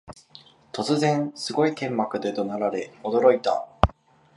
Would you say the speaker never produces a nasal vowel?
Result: no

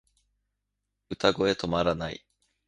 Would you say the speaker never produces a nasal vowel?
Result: yes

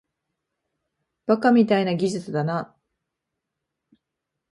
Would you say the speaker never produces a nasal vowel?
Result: yes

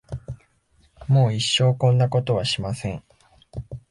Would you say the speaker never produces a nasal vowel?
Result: no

